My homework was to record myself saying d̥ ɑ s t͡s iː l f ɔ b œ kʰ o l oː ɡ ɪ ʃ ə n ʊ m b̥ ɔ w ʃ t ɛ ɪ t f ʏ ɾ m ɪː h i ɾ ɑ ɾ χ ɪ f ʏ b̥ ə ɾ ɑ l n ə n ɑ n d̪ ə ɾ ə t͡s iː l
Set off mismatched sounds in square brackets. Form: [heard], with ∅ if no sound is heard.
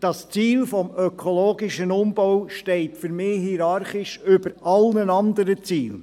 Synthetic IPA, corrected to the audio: d̥ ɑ s t͡s iː l f ɔ [m] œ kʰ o l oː ɡ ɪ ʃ ə n ʊ m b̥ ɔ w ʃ t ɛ ɪ t f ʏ ɾ m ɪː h i ɾ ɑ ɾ χ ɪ [ʃ] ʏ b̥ ə ɾ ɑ l n ə n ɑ n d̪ ə ɾ ə t͡s iː l